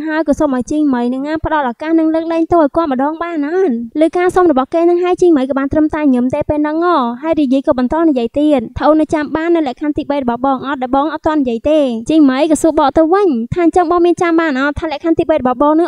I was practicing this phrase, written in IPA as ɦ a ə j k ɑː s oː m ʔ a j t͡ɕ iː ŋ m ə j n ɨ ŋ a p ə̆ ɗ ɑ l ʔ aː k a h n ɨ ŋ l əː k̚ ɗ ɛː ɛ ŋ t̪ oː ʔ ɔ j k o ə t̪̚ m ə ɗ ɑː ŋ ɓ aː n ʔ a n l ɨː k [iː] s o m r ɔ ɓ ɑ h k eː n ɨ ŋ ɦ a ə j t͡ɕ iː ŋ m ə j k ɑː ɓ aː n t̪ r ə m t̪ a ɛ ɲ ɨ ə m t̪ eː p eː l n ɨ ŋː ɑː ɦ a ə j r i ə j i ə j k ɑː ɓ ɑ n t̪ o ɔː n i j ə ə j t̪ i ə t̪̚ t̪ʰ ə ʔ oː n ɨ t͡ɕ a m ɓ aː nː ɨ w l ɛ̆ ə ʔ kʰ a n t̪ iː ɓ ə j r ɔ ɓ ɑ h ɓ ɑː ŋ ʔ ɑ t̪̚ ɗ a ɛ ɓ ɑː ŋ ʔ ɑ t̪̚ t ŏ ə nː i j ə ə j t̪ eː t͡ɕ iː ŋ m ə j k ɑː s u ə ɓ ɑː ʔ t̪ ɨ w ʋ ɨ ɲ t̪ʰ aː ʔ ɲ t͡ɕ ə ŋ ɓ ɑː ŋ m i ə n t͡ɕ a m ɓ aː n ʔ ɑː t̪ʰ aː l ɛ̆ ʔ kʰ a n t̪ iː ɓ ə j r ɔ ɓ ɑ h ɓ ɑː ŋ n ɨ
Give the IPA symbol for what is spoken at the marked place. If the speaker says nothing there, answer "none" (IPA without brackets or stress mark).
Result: aː